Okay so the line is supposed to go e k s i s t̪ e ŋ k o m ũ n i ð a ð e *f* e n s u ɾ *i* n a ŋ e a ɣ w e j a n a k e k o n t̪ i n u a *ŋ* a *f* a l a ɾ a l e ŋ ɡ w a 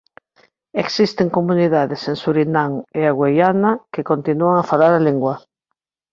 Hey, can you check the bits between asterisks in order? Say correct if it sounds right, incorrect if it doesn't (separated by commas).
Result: incorrect, correct, correct, correct